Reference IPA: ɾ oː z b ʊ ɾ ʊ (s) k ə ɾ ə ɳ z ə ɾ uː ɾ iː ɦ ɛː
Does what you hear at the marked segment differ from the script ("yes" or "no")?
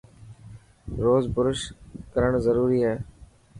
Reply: yes